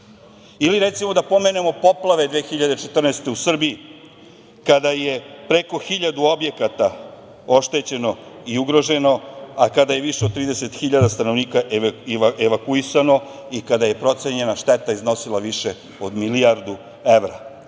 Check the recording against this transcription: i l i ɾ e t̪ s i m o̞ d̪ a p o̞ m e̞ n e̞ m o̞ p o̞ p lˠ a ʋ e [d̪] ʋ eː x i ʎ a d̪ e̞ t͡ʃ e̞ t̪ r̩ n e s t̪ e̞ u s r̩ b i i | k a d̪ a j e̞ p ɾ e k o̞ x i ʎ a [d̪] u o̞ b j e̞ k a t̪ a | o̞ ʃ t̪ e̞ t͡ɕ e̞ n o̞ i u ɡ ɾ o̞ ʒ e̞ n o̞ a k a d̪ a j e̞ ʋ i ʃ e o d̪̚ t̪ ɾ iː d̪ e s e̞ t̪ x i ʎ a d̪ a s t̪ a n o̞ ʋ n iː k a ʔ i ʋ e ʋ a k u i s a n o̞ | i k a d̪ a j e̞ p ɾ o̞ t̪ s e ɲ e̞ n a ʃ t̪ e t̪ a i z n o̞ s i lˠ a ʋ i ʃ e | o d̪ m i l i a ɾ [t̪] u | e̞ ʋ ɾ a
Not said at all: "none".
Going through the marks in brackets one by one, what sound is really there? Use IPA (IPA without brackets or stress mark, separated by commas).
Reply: d̪, d̪, d̪